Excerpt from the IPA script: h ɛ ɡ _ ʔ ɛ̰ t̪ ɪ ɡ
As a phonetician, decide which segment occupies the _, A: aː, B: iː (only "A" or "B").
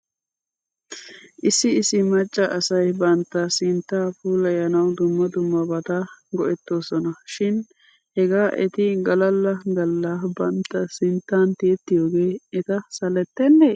A